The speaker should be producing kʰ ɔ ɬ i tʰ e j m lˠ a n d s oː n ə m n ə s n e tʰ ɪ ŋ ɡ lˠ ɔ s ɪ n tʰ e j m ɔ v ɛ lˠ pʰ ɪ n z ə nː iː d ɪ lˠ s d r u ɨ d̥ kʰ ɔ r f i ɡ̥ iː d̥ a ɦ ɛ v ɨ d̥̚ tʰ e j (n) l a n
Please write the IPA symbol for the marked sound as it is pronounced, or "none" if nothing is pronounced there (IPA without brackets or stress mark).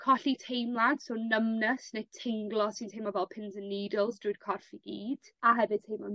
m